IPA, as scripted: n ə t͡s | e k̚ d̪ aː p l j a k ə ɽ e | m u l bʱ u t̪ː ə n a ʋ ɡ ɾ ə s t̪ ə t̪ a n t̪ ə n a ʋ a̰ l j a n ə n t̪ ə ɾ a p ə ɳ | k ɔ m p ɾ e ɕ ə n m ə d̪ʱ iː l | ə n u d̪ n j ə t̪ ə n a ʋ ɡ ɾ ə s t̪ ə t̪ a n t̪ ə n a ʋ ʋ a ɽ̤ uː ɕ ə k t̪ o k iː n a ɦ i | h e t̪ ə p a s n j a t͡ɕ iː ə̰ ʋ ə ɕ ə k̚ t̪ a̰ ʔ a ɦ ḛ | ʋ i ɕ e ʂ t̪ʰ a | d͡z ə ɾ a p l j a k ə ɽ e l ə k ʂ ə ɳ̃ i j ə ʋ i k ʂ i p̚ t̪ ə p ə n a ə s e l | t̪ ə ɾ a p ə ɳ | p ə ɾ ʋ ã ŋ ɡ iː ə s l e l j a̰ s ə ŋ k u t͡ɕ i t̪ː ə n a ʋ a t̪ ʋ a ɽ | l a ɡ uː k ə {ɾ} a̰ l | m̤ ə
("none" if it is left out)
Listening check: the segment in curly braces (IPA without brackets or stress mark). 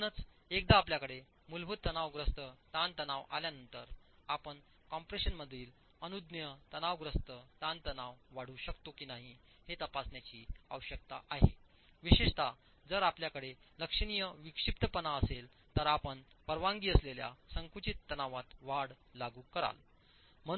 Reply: ɾ